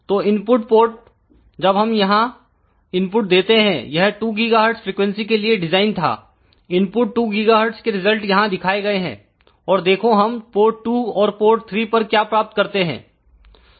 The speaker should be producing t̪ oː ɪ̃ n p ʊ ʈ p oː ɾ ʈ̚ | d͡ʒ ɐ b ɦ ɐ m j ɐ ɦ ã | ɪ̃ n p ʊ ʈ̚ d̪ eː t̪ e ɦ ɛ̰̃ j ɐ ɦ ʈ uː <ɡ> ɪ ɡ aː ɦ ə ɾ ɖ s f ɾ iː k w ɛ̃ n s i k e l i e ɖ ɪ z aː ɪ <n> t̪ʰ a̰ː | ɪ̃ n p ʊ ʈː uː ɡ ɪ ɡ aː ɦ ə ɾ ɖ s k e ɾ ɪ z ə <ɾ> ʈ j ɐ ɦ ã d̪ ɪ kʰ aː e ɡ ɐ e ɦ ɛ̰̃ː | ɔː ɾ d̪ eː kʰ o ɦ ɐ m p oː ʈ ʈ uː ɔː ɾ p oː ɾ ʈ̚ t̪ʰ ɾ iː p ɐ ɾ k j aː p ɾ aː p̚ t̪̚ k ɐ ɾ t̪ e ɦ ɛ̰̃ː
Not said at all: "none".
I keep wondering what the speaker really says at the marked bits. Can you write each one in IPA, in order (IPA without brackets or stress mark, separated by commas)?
ɡ, n, l